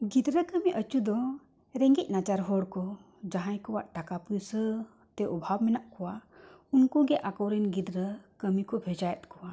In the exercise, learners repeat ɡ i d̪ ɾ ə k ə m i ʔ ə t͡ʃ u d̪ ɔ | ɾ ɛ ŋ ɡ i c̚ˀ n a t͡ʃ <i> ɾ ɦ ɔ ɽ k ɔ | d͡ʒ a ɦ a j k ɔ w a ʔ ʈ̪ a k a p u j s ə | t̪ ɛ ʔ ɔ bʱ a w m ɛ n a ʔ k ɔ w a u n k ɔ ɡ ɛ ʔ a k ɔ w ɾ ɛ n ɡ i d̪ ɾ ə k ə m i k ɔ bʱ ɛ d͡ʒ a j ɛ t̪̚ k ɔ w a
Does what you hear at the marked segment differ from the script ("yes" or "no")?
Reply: yes